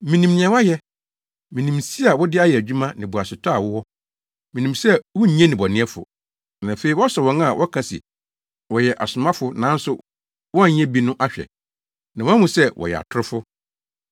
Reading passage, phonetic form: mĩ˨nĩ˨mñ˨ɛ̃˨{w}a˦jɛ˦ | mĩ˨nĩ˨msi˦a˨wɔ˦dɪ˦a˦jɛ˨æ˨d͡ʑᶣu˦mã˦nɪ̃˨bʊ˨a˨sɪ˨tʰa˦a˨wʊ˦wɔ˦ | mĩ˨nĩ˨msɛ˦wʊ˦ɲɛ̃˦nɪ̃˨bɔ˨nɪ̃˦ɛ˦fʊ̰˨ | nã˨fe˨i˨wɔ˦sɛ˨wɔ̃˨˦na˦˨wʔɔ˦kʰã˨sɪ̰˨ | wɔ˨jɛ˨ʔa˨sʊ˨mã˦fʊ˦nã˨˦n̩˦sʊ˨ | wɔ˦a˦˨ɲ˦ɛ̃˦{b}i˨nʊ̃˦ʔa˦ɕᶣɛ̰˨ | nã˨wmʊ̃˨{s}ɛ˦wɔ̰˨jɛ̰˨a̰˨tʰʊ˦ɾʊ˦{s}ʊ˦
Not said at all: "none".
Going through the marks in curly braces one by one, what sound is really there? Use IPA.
w, b, s, f

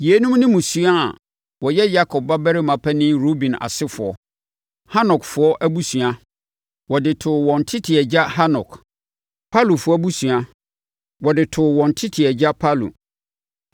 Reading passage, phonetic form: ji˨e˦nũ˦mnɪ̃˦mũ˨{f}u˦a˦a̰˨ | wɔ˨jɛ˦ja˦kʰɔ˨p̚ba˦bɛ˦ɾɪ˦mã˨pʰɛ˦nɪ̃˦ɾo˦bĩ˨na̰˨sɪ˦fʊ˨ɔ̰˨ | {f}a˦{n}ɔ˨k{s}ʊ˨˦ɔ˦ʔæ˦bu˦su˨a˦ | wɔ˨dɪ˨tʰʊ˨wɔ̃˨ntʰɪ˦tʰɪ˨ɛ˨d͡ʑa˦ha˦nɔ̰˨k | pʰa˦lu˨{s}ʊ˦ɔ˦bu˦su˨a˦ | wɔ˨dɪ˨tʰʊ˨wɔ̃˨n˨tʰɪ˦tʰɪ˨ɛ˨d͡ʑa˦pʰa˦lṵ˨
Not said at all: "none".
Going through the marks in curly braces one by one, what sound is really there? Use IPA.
s, h, n, f, f

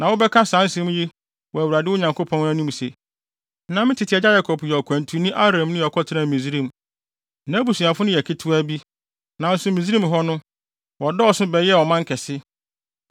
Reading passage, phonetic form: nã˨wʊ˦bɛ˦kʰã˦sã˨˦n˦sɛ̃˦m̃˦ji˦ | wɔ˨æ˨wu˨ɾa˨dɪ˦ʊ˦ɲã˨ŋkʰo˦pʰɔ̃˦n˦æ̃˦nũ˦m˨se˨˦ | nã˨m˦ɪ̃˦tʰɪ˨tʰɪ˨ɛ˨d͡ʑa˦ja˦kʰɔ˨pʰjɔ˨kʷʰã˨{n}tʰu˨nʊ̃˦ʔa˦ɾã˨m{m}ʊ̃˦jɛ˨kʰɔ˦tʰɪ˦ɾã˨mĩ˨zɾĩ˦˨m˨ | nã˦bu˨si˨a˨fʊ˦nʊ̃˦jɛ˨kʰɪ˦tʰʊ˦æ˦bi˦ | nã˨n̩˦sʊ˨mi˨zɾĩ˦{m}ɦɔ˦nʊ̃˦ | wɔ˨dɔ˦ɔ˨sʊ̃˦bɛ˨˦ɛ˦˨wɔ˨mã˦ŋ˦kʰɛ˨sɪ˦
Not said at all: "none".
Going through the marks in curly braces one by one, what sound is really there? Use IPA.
n, n, m

